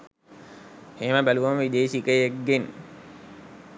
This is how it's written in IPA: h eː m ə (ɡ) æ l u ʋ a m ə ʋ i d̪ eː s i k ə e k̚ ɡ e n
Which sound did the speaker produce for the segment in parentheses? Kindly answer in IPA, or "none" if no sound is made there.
b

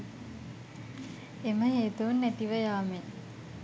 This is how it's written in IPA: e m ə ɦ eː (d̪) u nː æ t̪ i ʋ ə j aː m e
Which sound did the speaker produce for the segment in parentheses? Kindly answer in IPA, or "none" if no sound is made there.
t̪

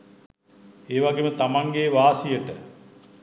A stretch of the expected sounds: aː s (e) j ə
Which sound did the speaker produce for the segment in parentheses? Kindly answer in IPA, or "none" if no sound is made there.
i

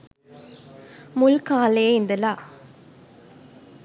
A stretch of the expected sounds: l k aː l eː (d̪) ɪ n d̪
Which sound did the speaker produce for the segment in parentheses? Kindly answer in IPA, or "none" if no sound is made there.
none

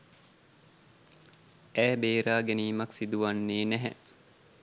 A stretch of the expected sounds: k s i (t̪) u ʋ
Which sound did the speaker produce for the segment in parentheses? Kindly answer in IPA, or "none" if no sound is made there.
d̪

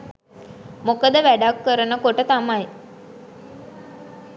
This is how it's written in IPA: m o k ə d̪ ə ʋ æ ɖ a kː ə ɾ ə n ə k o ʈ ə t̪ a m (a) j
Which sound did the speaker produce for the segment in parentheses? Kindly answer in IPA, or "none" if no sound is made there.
a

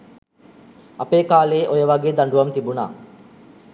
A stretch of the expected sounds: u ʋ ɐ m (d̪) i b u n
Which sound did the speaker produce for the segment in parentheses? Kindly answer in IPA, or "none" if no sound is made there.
t̪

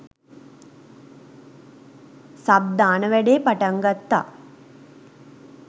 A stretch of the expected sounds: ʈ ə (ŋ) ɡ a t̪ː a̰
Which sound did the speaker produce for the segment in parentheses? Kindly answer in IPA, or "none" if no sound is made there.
ŋ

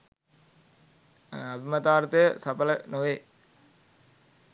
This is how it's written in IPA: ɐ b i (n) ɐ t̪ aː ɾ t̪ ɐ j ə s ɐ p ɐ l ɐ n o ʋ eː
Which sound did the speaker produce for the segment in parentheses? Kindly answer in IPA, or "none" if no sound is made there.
m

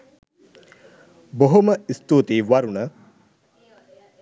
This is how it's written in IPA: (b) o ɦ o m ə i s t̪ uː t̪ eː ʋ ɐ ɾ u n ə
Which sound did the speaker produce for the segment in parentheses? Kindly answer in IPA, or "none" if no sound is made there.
b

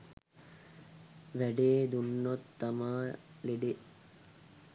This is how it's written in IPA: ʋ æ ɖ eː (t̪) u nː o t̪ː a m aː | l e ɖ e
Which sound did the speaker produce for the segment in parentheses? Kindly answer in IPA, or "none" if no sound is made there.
d̪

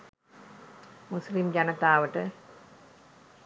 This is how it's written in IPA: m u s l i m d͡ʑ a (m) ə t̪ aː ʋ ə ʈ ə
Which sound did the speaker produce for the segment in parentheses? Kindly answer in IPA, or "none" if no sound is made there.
n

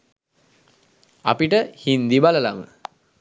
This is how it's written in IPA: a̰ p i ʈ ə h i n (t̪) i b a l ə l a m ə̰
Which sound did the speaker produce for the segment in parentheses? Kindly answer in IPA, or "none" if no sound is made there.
d̪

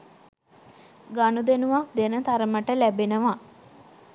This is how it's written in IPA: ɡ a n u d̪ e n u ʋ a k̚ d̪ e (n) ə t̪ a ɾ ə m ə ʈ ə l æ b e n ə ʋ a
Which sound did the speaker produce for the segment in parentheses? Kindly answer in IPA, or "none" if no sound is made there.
n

